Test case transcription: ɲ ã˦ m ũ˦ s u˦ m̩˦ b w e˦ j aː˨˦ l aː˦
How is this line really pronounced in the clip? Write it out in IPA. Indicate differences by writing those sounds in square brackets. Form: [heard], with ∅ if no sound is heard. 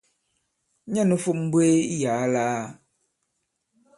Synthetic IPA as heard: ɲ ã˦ [n] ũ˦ [f] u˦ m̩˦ b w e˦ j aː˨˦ l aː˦